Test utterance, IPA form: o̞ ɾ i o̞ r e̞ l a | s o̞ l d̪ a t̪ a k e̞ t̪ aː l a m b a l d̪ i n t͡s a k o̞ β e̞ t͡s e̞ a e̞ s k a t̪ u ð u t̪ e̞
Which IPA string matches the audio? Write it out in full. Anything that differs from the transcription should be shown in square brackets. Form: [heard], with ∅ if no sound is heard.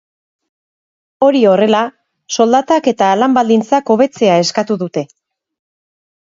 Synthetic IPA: o̞ ɾ i o̞ r e̞ l a | s o̞ l d̪ a t̪ a k e̞ t̪ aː l a m b a l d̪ i n t͡s a k o̞ β e̞ t͡s e̞ a e̞ s k a t̪ u ð u t̪ e̞